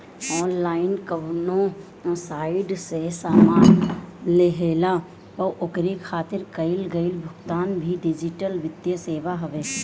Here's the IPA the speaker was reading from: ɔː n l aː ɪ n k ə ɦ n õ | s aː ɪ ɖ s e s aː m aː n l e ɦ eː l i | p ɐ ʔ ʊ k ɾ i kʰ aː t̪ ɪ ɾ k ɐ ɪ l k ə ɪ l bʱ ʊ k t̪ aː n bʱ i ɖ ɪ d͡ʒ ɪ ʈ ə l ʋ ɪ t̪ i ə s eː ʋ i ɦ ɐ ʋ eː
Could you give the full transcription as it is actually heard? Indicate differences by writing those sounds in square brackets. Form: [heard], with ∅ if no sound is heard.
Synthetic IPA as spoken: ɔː n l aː ɪ n k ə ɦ n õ | s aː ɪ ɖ s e s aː m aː n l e ɦ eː l [a] | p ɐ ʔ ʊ k ɾ i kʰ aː t̪ ɪ ɾ k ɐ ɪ l [ɡ] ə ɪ l bʱ ʊ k t̪ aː n bʱ i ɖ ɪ d͡ʒ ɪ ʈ ə l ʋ ɪ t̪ [j] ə s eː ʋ [a] ɦ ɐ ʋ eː

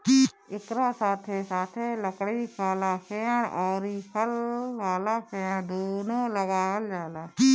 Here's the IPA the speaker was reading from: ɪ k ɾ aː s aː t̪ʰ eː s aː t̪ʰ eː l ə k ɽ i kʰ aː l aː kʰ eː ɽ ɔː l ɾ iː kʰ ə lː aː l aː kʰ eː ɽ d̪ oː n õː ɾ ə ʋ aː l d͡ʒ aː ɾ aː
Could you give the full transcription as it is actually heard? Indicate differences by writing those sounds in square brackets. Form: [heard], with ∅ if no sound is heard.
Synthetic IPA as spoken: ɪ k ɾ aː s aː t̪ʰ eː s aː t̪ʰ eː l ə k ɽ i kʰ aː l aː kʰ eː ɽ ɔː [∅] ɾ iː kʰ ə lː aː l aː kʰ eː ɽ d̪ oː n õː [l] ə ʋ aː l d͡ʒ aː [l] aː

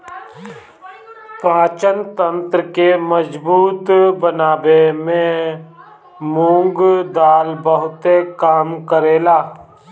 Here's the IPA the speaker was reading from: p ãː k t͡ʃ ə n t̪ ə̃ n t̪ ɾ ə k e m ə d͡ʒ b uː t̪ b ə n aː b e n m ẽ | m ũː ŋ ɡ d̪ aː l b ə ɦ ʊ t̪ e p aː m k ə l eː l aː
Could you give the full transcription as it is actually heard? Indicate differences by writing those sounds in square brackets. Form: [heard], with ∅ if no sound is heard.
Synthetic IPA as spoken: p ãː [∅] t͡ʃ ə n t̪ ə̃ n t̪ ɾ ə k e m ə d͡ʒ b uː t̪ b ə n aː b e [∅] m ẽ | m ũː ŋ ɡ d̪ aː l b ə ɦ ʊ t̪ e [k] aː m k ə [ɾ] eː l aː

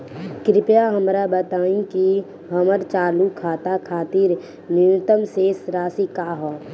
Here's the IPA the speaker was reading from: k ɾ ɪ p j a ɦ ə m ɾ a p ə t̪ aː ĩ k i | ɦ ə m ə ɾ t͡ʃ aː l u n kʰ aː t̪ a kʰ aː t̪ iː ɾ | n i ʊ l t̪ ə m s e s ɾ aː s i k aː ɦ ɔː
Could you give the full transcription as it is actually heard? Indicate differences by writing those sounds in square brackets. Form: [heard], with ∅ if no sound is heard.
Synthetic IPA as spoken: k ɾ ɪ p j a ɦ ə m ɾ a [b] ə t̪ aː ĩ k i | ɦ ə m ə ɾ t͡ʃ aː l u [∅] kʰ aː t̪ a kʰ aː t̪ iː ɾ | n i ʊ [∅] t̪ ə m s e s ɾ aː s i k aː ɦ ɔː

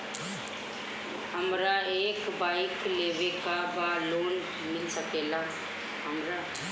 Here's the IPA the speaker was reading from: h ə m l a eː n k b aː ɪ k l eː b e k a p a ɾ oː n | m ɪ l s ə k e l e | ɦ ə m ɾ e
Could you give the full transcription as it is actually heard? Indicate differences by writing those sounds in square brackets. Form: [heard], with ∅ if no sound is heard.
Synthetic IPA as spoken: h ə m [ɾ] a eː [∅] k b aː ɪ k l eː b e k a [b] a [l] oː n | m ɪ l s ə k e l [a] | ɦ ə m ɾ [a]

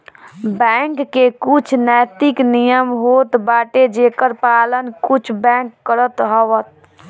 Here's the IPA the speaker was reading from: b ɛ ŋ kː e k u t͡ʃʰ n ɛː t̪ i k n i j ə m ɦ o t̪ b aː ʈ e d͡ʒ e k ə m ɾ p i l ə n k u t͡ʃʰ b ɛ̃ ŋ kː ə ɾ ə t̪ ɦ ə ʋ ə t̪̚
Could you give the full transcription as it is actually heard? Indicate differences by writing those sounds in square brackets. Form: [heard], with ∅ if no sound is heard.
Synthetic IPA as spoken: b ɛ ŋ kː e k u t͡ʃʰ n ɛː t̪ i k n i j ə m ɦ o t̪ b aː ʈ e d͡ʒ e k ə [∅] ɾ p [a] l ə n k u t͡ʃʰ b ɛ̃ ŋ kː ə ɾ ə t̪ ɦ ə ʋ ə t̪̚

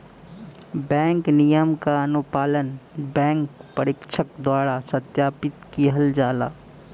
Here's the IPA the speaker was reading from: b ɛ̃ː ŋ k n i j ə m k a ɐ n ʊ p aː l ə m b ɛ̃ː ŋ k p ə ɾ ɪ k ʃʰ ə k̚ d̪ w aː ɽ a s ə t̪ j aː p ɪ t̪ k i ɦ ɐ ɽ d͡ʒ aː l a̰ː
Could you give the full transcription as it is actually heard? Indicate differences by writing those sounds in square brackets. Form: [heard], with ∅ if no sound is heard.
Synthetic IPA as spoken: b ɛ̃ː ŋ k n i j ə m k a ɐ n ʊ p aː l ə [n] b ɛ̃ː ŋ k p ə ɾ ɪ k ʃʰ ə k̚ d̪ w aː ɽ a s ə t̪ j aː p ɪ t̪ k i ɦ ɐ [l] d͡ʒ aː l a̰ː

